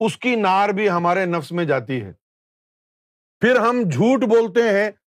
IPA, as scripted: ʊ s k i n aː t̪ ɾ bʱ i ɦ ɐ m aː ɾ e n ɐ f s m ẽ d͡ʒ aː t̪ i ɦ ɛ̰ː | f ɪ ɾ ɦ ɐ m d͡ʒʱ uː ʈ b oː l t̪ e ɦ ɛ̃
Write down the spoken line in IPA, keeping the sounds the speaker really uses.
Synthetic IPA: ʊ s k i n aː ɾ bʱ i ɦ ɐ m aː ɾ e n ɐ f s m ẽ d͡ʒ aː t̪ i ɦ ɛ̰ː | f ɪ ɾ ɦ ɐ m d͡ʒʱ uː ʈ b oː l t̪ e ɦ ɛ̃